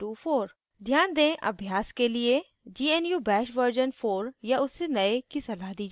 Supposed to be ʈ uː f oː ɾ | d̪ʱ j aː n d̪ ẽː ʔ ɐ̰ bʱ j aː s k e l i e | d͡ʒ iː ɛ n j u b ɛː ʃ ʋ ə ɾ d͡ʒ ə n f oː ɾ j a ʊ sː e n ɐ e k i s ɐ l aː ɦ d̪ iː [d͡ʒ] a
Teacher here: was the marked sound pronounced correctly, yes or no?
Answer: yes